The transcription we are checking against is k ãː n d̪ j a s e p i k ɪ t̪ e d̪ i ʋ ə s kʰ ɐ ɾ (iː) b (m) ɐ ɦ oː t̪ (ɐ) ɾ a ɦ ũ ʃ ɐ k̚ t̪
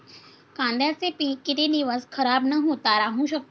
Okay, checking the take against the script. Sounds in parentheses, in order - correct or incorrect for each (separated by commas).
incorrect, incorrect, incorrect